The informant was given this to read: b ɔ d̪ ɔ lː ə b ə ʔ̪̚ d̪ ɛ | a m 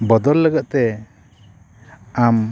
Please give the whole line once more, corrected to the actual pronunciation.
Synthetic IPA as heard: b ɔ d̪ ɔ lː ə ɡ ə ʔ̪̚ t̪ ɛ | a m

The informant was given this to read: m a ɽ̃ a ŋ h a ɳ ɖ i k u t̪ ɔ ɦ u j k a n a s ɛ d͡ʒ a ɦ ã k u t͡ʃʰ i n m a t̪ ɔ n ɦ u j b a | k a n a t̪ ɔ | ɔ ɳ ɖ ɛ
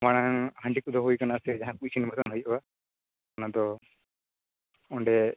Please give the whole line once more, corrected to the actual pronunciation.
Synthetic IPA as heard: m a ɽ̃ a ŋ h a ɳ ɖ i k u d̪ ɔ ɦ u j k a n a s ɛ d͡ʒ a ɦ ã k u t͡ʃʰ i n m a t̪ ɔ n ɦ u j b a | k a n a d̪ ɔ | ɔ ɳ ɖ ɛ

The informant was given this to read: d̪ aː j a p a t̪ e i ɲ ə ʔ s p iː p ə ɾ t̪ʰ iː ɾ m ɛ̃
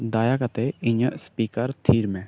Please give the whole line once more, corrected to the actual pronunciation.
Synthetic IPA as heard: d̪ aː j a k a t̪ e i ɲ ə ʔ s p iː k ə ɾ t̪ʰ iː ɾ m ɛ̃

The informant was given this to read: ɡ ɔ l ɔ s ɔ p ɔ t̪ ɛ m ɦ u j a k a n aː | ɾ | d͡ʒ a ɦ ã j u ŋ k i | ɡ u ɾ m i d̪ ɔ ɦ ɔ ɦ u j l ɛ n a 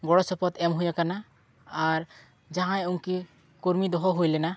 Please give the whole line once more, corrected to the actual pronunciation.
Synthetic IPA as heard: ɡ ɔ ɽ ɔ s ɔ p ɔ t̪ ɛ m ɦ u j a k a n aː | ɾ | d͡ʒ a ɦ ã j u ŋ k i | k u ɾ m i d̪ ɔ ɦ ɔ ɦ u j l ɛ n a

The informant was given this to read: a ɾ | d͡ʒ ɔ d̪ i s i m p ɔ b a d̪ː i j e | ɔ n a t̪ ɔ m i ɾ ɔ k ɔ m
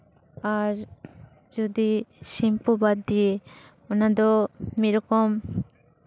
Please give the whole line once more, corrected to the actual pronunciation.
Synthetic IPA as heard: a ɾ | d͡ʒ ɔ d̪ i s i m p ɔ b a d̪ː i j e | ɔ n a d̪ ɔ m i ɾ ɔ k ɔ m

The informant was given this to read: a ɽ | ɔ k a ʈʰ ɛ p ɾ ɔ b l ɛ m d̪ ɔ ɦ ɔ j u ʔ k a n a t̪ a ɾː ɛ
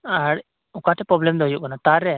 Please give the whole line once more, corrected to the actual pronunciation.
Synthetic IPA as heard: a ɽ | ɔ k a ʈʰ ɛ p ɾ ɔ b l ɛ m d̪ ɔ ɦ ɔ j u ʔ k a n a t̪ a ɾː ɛ

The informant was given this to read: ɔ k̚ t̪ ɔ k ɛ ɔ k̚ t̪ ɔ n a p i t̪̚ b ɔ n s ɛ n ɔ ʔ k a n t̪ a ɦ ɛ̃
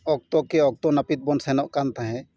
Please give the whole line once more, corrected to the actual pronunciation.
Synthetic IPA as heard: ɔ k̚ t̪ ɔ k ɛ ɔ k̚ t̪ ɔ n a p i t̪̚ b ɔ n s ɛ n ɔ ʔ k a n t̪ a ɦ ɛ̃

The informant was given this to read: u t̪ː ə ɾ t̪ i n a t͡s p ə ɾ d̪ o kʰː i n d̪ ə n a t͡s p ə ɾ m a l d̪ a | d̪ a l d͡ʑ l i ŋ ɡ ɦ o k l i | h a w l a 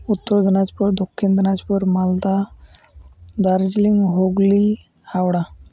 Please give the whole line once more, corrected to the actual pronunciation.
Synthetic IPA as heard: u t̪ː ə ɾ d̪ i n a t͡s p ə ɾ d̪ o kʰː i n d̪ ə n a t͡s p ə ɾ m a l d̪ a | d̪ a ɾ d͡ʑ l i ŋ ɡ ɦ o ɡ l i | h a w ɽ a

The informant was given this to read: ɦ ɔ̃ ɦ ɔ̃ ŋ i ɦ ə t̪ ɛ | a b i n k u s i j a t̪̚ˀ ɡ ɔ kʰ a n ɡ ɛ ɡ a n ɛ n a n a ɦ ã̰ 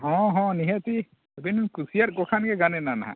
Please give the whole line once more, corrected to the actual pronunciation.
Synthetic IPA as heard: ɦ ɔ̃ ɦ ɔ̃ n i ɦ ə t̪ i | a b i n k u s i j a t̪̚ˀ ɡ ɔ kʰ a n ɡ ɛ ɡ a n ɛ n a n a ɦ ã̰

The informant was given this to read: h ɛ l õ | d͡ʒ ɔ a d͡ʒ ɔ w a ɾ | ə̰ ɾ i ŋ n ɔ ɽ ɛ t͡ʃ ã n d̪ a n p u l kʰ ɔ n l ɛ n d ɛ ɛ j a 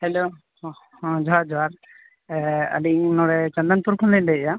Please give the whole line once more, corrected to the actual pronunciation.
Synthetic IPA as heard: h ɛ l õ | d͡ʒ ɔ a d͡ʒ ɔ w a ɾ | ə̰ l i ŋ n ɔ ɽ ɛ t͡ʃ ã n d̪ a n p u ɾ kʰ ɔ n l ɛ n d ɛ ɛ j a

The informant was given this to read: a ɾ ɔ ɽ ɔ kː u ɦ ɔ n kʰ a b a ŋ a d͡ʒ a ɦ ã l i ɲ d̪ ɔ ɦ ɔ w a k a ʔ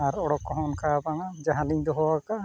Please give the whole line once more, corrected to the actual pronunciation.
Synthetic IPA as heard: a ɾ ɔ ɽ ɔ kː ɔ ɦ ɔ n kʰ a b a ŋ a d͡ʒ a ɦ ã l i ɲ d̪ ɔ ɦ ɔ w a k a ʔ

